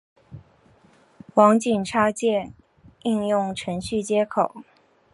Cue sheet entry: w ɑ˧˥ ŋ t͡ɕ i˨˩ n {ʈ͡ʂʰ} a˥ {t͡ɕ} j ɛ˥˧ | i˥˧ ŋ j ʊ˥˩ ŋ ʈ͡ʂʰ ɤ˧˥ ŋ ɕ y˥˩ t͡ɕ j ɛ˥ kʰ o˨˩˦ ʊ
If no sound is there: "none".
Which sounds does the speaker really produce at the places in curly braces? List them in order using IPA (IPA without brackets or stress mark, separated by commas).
ʈ͡ʂʰ, t͡ɕ